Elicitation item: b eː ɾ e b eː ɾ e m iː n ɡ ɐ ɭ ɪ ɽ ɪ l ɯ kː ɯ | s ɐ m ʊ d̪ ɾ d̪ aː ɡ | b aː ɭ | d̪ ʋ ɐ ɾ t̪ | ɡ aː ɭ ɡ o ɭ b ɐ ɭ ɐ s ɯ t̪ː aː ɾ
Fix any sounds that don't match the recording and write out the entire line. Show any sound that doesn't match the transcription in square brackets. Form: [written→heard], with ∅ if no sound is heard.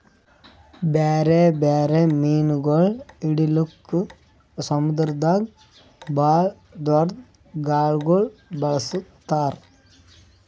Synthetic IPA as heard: b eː ɾ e b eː ɾ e m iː n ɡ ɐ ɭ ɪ ɽ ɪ l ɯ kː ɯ | s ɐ m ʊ d̪ ɾ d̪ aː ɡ | b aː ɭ | d̪ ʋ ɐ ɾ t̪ | ɡ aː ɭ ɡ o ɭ b ɐ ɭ ɐ s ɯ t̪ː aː ɾ